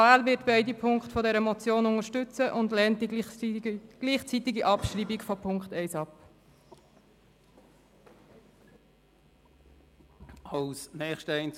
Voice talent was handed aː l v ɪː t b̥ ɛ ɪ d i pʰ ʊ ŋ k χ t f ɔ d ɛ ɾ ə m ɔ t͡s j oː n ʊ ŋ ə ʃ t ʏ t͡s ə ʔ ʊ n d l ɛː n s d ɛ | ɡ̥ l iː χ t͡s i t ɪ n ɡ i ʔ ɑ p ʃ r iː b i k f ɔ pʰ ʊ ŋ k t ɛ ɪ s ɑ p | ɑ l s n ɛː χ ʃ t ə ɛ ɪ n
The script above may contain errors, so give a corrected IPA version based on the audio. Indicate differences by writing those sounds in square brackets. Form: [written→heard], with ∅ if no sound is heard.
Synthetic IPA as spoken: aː l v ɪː t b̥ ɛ ɪ d i pʰ ʊ ŋ k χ t f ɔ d ɛ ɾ ə m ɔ t͡s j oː n ʊ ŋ ə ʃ t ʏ t͡s ə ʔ ʊ n d l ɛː n [s→t] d [ɛ→i] | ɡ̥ l iː χ t͡s i t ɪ [n→∅] ɡ i ʔ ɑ p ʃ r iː b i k f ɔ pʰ ʊ ŋ k t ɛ ɪ s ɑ p | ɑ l s n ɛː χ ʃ t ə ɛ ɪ n